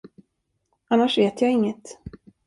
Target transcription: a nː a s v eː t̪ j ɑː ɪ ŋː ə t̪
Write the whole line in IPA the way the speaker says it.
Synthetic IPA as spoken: a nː a ʂ v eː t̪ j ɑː ɪ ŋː ə t̪